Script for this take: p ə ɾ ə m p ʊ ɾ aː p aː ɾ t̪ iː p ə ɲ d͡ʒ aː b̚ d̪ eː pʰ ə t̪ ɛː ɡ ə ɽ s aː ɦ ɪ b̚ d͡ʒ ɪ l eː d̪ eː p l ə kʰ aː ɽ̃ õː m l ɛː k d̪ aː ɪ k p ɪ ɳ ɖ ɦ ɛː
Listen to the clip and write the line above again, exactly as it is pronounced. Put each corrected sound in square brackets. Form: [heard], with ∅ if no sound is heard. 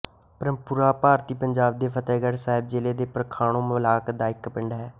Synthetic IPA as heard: p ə ɾ ə m p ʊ ɾ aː p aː ɾ t̪ iː p ə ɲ d͡ʒ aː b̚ d̪ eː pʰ ə t̪ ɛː ɡ ə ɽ s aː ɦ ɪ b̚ d͡ʒ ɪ l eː d̪ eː p [ɾ] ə kʰ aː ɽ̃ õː m l [aː] k d̪ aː ɪ k p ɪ ɳ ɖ ɦ ɛː